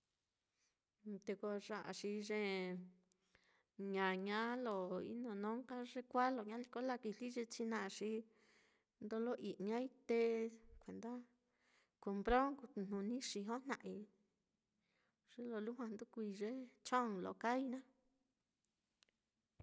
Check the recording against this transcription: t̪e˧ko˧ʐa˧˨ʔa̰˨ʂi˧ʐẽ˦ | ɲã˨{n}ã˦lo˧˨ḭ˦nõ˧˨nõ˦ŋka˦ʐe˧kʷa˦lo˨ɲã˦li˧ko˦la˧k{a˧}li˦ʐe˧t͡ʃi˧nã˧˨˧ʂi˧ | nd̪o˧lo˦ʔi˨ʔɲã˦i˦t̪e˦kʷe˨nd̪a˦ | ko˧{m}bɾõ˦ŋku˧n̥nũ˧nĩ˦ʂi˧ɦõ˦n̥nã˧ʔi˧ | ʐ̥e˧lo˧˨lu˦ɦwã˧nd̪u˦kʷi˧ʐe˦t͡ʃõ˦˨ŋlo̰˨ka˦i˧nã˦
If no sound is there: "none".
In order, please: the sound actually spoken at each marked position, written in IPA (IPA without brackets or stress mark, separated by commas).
ɲ, i˧, m